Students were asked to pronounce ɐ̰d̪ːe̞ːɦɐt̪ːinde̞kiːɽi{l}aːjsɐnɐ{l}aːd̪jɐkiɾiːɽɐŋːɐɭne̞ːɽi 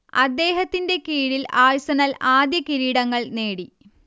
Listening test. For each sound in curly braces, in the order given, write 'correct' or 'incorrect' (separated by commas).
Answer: correct, correct